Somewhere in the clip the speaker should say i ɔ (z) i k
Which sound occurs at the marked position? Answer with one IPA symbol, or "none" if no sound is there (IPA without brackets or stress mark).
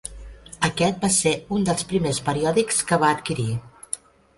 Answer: ð